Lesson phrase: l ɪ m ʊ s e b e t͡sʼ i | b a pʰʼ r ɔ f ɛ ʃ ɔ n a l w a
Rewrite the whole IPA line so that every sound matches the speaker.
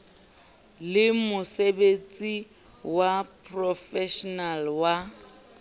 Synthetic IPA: l ɪ m ʊ s e b e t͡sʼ i | w a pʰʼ r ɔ f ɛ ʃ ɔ n a l w a